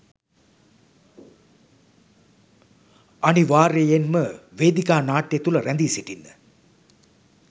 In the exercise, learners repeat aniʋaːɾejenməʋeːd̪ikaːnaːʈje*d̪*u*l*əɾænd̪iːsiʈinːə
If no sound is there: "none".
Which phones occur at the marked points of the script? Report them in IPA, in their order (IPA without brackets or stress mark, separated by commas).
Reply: t̪, l